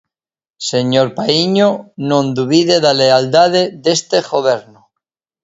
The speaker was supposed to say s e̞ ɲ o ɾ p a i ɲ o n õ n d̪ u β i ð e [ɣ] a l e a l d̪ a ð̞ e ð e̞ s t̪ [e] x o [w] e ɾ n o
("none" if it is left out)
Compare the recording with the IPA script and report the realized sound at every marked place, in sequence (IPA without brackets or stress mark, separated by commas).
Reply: ð, e, β